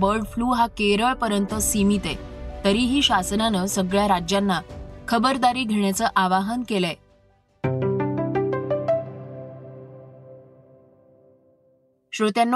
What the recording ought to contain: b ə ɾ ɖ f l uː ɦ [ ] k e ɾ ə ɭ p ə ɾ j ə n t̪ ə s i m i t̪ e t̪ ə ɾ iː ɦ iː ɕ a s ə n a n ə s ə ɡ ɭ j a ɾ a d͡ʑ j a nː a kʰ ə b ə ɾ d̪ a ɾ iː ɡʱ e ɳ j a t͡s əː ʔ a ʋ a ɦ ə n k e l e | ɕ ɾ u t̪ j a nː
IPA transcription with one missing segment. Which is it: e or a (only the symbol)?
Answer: a